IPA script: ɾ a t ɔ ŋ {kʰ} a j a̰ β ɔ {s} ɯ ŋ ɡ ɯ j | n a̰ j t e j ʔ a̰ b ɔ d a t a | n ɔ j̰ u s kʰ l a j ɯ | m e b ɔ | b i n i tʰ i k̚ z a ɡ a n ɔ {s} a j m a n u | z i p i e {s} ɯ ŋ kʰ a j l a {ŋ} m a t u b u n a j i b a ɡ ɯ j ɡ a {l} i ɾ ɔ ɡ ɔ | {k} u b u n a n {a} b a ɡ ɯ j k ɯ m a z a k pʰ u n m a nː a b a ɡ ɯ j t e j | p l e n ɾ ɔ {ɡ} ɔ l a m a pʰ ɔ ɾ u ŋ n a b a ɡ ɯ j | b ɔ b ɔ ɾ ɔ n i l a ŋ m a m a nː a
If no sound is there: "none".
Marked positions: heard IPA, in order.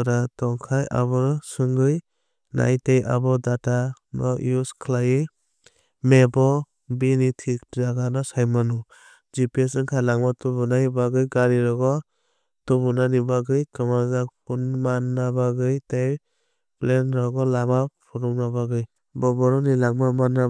kʰ, s, s, s, ŋ, ɾ, t, i, ɡ

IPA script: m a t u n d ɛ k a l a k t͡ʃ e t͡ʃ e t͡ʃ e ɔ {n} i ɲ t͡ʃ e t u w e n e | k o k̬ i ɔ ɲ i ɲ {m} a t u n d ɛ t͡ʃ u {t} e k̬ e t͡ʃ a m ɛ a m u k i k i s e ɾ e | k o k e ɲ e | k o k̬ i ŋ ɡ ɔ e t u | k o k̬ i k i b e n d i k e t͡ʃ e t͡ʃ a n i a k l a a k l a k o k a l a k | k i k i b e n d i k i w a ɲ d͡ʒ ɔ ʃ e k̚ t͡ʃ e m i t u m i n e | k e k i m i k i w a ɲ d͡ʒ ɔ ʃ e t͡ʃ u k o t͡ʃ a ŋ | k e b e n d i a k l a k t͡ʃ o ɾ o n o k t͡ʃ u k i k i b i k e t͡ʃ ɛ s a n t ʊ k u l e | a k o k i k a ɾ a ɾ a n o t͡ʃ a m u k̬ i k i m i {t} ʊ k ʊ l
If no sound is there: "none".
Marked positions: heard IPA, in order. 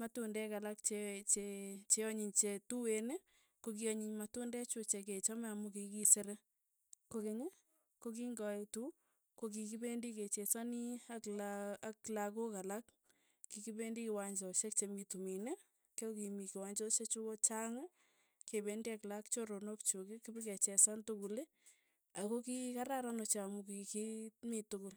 ɲ, m, t͡ʃ, t

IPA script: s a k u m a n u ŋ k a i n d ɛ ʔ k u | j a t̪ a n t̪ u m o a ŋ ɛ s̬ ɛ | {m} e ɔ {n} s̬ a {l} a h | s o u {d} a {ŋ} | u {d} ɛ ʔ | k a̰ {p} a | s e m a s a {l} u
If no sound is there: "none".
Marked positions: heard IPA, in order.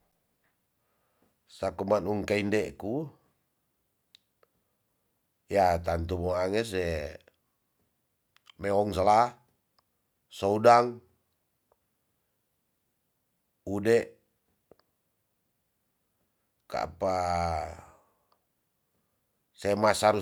m, ŋ, l, d, ŋ, d, p, ɾ

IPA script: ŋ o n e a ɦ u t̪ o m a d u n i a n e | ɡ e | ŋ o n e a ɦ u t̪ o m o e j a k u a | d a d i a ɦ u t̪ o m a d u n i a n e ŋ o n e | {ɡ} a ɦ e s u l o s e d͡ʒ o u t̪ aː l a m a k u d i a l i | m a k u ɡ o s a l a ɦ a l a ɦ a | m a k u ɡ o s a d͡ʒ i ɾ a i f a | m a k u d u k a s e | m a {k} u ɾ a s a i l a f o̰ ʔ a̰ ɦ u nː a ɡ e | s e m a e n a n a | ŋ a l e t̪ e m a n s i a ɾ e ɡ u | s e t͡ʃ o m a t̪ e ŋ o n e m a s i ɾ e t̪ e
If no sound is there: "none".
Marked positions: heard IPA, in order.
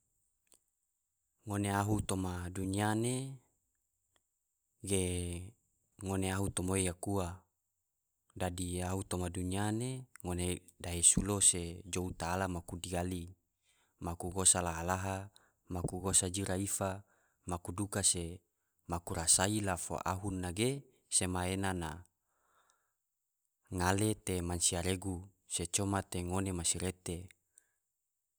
d, k

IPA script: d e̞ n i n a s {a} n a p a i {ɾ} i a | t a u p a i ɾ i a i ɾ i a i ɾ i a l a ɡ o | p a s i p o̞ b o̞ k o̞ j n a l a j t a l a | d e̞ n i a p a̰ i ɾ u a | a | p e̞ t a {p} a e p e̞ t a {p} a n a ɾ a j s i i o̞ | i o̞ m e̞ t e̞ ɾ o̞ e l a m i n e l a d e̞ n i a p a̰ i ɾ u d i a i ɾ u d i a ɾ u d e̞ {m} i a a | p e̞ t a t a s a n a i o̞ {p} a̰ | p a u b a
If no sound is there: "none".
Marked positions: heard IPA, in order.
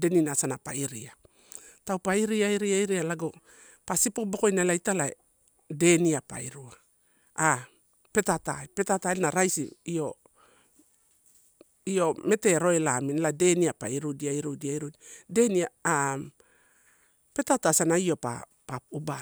a, ɾ, t, t, n, p

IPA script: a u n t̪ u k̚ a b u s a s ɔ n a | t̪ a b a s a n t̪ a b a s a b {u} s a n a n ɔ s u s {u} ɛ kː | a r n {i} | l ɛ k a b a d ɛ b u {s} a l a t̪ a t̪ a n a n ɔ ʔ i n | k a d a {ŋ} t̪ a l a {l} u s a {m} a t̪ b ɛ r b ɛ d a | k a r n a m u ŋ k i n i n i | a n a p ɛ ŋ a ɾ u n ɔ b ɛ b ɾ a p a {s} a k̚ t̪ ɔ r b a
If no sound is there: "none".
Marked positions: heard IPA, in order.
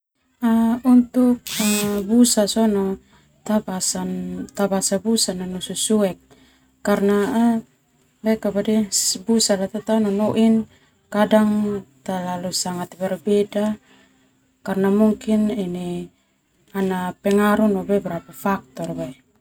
u, u, a, s, ŋ, l, ŋ, f

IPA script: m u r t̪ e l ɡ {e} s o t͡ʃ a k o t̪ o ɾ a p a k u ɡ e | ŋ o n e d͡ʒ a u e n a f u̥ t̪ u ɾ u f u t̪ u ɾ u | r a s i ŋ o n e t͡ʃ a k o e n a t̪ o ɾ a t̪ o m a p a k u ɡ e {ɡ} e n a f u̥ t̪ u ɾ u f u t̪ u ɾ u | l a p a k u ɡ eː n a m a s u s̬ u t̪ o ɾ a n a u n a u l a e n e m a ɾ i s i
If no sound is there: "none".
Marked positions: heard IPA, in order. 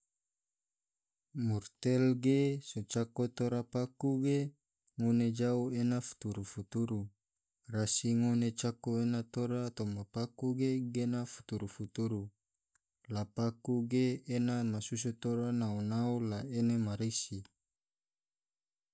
e, ɡ

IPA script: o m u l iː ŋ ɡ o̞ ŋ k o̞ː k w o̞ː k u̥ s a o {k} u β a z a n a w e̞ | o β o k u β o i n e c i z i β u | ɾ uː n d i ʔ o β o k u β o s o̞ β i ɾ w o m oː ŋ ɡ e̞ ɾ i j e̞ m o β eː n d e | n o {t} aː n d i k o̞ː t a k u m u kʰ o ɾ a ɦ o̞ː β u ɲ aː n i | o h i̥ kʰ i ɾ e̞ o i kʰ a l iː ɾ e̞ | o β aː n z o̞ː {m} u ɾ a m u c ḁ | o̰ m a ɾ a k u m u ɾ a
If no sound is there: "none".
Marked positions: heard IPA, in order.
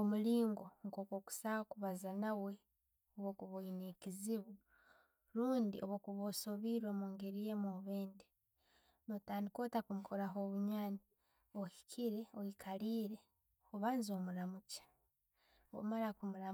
k, t, m

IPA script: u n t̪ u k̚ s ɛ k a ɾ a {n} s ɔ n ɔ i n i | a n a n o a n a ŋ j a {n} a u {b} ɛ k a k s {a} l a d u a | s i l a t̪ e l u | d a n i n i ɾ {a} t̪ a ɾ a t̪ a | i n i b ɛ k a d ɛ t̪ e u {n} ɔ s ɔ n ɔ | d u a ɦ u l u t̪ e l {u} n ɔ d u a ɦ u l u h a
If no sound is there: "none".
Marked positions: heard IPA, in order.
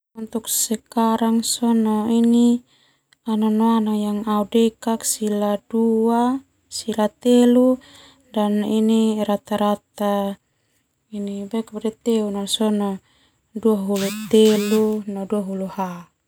ŋ, ŋ, d, i, a, n, u

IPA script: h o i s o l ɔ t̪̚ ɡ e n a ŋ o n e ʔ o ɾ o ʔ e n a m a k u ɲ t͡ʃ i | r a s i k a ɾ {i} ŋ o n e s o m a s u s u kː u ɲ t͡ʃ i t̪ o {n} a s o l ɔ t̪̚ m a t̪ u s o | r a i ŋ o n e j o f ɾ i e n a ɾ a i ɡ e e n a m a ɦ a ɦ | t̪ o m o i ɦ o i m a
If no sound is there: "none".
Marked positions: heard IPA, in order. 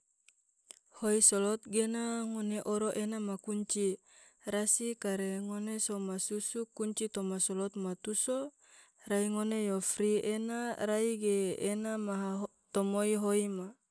e, m

